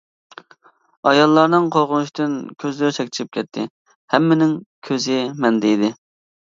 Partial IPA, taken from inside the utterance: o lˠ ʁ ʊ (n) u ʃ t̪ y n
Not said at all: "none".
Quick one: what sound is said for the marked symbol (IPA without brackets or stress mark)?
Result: n